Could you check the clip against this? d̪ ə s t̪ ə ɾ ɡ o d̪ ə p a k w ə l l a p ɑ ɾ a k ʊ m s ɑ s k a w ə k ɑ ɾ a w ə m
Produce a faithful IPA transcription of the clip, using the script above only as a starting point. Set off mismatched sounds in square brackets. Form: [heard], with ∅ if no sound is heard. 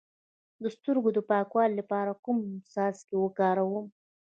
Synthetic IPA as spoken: d̪ ə s t̪ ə ɾ ɡ o d̪ ə p [ɑ] k w [ɑ] l l a p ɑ ɾ a k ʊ m s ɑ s k [e] w ə k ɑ ɾ a w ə m